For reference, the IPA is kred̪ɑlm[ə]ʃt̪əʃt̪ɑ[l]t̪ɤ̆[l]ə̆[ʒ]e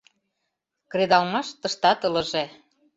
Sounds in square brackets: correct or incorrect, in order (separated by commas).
incorrect, incorrect, correct, correct